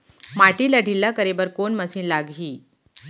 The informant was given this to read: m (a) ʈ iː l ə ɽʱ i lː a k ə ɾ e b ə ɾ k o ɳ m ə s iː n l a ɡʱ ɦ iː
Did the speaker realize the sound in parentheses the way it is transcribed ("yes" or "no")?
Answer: yes